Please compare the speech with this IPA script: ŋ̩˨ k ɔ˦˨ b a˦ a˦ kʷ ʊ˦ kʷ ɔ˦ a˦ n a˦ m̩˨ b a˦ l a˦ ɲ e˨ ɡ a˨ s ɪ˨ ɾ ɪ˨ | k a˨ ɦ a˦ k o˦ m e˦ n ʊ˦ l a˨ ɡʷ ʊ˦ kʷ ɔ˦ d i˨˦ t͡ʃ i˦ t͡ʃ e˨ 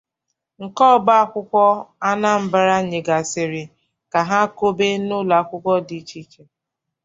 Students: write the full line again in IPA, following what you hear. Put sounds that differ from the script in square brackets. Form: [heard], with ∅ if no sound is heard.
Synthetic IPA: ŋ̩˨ k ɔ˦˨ b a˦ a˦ kʷ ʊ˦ kʷ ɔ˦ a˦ n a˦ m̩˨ b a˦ [ɾ] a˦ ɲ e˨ ɡ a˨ s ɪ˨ ɾ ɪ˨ | k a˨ ɦ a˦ k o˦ [b] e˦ n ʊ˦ l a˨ [kʷ] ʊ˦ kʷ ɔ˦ d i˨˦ t͡ʃ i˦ t͡ʃ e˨